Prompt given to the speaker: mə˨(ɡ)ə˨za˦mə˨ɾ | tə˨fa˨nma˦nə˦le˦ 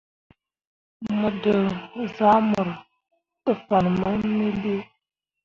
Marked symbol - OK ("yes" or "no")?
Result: no